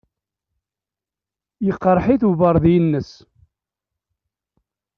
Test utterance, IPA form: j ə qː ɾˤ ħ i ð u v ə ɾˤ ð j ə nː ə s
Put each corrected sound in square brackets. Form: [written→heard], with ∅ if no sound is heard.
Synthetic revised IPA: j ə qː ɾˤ ħ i [ð→θ] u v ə ɾˤ ð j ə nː ə s

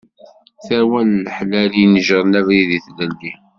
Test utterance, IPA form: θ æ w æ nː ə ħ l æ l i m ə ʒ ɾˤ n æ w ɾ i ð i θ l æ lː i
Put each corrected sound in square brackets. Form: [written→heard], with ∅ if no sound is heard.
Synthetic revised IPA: θ æ w æ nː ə ħ l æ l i [m→n] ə ʒ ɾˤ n æ [w→v] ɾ i ð i θ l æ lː i

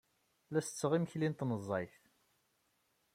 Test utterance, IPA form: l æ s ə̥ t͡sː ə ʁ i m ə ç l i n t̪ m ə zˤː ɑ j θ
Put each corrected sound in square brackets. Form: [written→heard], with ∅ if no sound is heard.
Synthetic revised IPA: l æ s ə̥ t͡sː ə ʁ i m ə ç l i n t̪ [m→n] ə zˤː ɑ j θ

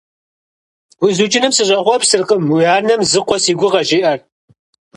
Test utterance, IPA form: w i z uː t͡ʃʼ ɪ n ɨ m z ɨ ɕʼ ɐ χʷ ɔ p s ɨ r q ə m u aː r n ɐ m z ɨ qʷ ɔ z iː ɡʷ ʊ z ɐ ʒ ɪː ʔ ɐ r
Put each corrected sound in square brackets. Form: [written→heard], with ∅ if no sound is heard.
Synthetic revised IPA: w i z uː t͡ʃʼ ɪ n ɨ m [z→s] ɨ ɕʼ ɐ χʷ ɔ p s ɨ r q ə m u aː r n ɐ m z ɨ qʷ ɔ [z→s] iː ɡʷ ʊ [z→ʁ] ɐ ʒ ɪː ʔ ɐ r

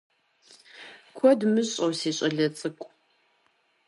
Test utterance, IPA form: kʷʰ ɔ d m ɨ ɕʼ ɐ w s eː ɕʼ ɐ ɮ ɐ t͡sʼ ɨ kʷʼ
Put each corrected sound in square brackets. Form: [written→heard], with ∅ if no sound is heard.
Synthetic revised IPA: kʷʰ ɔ d m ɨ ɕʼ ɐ w s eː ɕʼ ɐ ɮ ɐ t͡sʼ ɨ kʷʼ

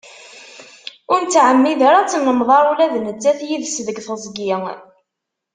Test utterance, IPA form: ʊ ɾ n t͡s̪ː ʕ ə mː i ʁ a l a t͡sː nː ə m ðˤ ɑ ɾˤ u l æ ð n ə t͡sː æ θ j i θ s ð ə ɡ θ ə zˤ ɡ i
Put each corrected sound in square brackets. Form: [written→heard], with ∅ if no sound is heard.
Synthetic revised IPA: ʊ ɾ n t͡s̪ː ʕ ə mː i [ʁ→ð] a [l→ɾ] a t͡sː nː ə m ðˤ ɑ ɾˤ u l æ ð n ə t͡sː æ θ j i [θ→ð] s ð ə ɡ θ ə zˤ ɡ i

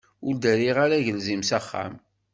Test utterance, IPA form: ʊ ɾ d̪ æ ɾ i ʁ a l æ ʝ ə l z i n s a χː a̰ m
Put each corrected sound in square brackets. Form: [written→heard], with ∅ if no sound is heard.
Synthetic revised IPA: ʊ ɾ d̪ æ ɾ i ʁ a [l→ɾ] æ ʝ ə l z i [n→m] s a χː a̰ m

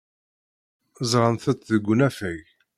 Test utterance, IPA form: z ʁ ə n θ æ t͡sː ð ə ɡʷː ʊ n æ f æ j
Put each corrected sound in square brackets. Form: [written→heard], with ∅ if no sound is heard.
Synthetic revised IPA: z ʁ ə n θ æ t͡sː ð ə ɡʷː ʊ n æ f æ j

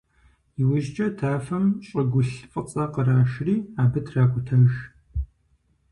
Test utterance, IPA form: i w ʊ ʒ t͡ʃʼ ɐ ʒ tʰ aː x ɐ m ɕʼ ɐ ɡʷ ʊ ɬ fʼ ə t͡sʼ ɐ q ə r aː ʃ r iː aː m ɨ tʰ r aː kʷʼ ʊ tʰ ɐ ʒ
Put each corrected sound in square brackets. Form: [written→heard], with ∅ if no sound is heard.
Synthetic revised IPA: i w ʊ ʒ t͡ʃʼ ɐ [ʒ→∅] tʰ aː [x→f] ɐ m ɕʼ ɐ ɡʷ ʊ ɬ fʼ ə t͡sʼ ɐ q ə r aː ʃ r iː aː [m→b] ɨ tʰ r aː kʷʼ ʊ tʰ ɐ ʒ

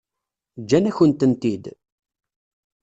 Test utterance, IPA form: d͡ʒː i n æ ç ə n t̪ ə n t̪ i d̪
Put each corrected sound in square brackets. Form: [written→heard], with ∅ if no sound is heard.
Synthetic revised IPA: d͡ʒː [i→æ] n æ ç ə n t̪ ə n t̪ i d̪

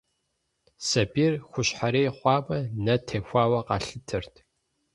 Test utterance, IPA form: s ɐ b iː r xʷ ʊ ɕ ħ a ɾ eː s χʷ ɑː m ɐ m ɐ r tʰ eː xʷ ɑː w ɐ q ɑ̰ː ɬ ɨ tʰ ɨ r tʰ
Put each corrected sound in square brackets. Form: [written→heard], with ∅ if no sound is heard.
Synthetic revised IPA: s ɐ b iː r xʷ ʊ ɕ ħ a ɾ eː [s→∅] χʷ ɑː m ɐ [m→n] ɐ [r→∅] tʰ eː xʷ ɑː w ɐ q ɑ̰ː ɬ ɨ tʰ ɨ r tʰ

